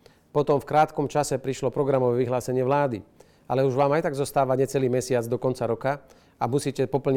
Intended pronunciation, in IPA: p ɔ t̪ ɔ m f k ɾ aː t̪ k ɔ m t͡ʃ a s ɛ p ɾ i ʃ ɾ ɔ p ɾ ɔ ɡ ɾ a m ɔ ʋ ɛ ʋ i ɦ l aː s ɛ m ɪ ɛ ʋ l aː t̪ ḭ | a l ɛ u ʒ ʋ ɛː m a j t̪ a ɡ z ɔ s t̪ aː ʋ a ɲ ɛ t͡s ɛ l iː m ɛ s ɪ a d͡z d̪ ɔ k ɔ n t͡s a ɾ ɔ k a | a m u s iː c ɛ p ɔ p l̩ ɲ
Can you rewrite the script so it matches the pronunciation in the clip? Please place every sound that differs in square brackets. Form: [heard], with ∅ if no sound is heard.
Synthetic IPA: p ɔ t̪ ɔ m f k ɾ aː t̪ k ɔ m t͡ʃ a s ɛ p ɾ i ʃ [l] ɔ p ɾ ɔ ɡ ɾ a m ɔ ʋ ɛ ʋ i ɦ l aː s ɛ [ɲ] ɪ ɛ ʋ l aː [d̪] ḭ | a l ɛ u ʒ ʋ [aː] m a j t̪ a ɡ z ɔ s t̪ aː ʋ a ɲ ɛ t͡s ɛ l iː m ɛ s ɪ a d͡z d̪ ɔ k ɔ n t͡s a ɾ ɔ k a | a m u s iː c ɛ p ɔ p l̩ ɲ